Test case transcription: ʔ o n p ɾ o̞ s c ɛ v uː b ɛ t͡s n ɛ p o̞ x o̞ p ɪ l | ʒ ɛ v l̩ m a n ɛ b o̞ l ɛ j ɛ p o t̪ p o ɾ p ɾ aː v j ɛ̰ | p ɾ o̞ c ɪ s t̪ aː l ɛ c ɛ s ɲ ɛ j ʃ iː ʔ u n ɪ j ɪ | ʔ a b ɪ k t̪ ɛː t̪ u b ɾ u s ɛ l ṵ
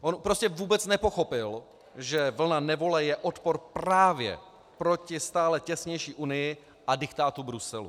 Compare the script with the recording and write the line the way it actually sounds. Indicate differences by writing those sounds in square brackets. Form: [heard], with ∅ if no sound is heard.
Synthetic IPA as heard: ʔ o n p ɾ o̞ s c ɛ v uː b ɛ t͡s n ɛ p o̞ x o̞ p ɪ l | ʒ ɛ v l̩ [n] a n ɛ [v] o̞ l ɛ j ɛ [ʔ] o t̪ p o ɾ p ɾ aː v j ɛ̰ | p ɾ o̞ c ɪ s t̪ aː l ɛ c ɛ s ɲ ɛ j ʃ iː ʔ u n ɪ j ɪ | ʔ a [d] ɪ k t̪ [aː] t̪ u b ɾ u s ɛ l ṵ

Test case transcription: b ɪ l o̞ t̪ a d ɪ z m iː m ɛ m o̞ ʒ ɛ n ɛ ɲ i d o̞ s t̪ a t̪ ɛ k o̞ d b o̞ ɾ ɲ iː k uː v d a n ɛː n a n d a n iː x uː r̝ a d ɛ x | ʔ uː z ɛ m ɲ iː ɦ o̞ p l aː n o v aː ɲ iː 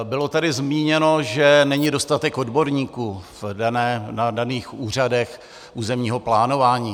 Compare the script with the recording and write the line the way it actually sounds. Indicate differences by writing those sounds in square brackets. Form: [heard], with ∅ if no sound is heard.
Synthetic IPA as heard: b ɪ l o̞ t̪ a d ɪ z m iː [ɲ] ɛ [n] o̞ ʒ ɛ n ɛ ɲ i d o̞ s t̪ a t̪ ɛ k o̞ d b o̞ ɾ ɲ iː k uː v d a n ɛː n a [∅] d a n iː x uː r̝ a d ɛ x | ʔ uː z ɛ m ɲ iː ɦ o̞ p l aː n o v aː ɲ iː

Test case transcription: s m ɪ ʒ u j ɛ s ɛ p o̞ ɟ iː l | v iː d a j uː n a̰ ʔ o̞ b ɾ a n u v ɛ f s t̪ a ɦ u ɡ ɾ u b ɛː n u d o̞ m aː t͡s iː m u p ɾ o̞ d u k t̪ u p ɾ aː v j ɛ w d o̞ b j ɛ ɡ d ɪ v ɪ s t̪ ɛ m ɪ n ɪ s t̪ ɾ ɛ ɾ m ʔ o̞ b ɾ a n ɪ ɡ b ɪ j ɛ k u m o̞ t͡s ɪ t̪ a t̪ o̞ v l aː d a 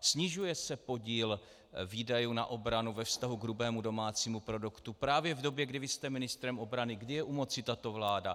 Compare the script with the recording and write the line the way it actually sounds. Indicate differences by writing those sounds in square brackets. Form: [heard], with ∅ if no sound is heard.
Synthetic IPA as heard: s [ɲ] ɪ ʒ u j ɛ s ɛ p o̞ ɟ iː l | v iː d a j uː n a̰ ʔ o̞ b ɾ a n u v ɛ f s t̪ a ɦ u ɡ ɾ u b ɛː [m] u d o̞ m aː t͡s iː m u p ɾ o̞ d u k t̪ u p ɾ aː v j ɛ [v] d o̞ b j ɛ ɡ d ɪ v ɪ s t̪ ɛ m ɪ n ɪ s t̪ ɾ ɛ [∅] m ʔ o̞ b ɾ a n ɪ ɡ [d] ɪ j ɛ [ʔ] u m o̞ t͡s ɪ t̪ a t̪ o̞ v l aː d a

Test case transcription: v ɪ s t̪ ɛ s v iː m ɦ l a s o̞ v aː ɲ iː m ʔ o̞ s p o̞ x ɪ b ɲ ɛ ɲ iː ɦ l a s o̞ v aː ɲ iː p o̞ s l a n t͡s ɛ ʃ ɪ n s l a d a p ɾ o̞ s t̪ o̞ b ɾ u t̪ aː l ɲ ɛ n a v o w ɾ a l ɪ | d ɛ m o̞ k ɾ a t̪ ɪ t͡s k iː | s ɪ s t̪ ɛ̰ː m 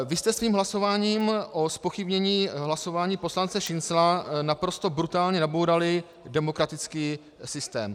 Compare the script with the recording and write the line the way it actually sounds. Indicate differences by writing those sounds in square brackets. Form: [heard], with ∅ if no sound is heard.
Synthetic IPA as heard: v ɪ s t̪ ɛ s v iː m ɦ l a s o̞ v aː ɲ iː m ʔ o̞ s p o̞ x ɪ b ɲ ɛ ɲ iː ɦ l a s o̞ v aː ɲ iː p o̞ s l a n t͡s ɛ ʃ ɪ n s l a [n] a p ɾ o̞ s t̪ o̞ b ɾ u t̪ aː l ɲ ɛ n a [b] o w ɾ a l ɪ | d ɛ m o̞ k ɾ a t̪ ɪ t͡s k iː | s ɪ s t̪ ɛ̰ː m

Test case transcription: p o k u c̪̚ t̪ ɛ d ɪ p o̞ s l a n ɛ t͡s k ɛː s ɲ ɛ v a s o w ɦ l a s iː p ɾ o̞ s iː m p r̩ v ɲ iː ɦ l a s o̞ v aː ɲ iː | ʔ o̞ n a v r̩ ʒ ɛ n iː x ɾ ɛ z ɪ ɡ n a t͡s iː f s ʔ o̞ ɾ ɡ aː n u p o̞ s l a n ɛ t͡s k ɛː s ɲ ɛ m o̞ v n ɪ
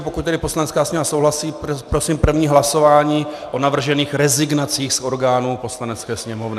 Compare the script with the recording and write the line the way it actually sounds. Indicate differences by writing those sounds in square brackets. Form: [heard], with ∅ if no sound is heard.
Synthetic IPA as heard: p o k u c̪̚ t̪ ɛ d ɪ p o̞ s l a n ɛ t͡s k [aː] s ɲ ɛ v a s o w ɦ l a s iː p ɾ o̞ s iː m p r̩ v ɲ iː ɦ l a s o̞ v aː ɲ iː | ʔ o̞ n a v r̩ ʒ ɛ n iː x ɾ ɛ z ɪ ɡ n a t͡s iː [x] s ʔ o̞ ɾ ɡ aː n u p o̞ s l a n ɛ t͡s k ɛː s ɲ ɛ m o̞ v n ɪ

